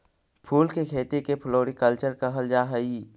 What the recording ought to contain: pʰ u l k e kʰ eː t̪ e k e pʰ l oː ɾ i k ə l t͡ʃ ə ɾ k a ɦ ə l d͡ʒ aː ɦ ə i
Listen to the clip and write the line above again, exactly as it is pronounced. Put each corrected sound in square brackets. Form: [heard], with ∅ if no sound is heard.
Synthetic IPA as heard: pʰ [uː] l k e kʰ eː t̪ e k e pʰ l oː ɾ i k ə l t͡ʃ ə ɾ k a ɦ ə l d͡ʒ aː ɦ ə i